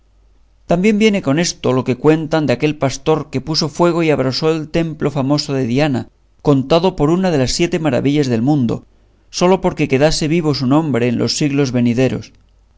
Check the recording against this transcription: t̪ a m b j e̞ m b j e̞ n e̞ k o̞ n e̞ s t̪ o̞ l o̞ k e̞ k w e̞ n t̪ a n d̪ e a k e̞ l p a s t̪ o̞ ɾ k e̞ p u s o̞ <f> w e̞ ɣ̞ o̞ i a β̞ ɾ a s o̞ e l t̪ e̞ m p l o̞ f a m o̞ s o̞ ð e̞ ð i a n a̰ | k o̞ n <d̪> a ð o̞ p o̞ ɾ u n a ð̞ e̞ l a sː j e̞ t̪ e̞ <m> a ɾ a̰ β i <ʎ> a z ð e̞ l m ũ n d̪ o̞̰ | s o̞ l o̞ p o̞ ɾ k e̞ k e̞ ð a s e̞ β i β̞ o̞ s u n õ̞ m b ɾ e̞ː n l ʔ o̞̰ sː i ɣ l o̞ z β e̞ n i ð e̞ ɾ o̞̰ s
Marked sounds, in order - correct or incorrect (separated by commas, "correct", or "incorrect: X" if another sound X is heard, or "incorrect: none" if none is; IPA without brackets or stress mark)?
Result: correct, incorrect: t̪, correct, correct